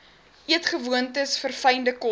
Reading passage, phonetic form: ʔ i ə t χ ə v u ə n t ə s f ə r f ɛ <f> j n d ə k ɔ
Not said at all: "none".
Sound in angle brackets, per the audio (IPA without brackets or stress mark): none